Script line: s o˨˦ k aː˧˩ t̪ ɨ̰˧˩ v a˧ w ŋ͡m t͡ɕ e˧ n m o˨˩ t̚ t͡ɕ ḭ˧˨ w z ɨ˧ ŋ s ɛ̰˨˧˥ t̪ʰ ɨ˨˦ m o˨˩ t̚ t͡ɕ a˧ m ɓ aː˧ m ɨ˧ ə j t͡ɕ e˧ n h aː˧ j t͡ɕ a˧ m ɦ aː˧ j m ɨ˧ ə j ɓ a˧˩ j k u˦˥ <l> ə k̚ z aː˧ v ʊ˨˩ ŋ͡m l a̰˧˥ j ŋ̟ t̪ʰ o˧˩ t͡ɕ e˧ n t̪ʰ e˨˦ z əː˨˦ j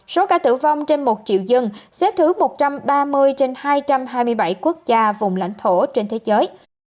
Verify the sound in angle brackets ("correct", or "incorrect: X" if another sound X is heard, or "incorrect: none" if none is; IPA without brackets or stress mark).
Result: incorrect: none